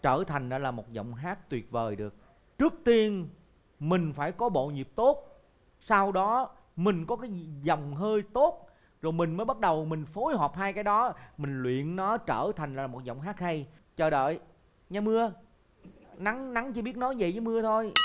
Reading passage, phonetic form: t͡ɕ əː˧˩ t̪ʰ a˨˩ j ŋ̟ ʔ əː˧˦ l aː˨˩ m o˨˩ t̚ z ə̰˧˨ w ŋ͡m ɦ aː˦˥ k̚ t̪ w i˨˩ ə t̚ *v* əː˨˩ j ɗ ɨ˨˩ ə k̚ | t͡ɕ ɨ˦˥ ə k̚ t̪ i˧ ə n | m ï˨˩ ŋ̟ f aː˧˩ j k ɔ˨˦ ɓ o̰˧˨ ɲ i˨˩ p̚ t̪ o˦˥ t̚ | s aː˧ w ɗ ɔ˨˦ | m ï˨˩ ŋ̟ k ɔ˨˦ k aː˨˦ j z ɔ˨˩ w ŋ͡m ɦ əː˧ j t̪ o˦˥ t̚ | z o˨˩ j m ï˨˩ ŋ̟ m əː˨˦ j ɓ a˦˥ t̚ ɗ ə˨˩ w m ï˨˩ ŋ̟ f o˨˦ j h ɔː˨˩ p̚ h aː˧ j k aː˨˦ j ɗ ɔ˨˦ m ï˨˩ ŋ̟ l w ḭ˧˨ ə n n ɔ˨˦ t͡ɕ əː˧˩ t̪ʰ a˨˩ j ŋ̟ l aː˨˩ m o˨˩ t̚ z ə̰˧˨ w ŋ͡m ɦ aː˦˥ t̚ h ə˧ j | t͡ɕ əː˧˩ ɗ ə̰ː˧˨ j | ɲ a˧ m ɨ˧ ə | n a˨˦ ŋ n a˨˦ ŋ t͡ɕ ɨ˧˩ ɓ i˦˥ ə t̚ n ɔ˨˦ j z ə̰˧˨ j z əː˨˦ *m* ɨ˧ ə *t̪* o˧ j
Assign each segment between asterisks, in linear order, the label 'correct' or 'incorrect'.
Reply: correct, correct, incorrect: t̪ʰ

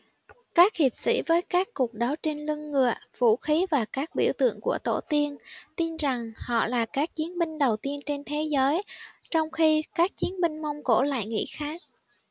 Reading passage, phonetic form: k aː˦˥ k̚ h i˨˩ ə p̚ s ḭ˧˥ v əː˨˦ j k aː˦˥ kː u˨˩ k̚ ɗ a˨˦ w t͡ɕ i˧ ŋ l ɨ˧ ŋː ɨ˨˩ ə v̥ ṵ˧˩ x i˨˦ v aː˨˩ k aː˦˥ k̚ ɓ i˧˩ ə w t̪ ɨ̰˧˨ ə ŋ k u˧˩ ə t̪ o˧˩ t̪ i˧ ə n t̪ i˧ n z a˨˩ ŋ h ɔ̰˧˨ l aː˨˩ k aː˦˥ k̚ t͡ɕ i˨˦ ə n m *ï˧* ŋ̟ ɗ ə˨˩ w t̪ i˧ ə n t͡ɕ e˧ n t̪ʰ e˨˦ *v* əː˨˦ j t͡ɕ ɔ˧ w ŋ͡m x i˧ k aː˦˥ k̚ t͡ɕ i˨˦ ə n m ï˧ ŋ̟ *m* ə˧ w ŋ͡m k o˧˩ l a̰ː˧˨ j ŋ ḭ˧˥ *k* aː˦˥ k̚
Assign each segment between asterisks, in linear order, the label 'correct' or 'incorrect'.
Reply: correct, incorrect: z, correct, incorrect: x

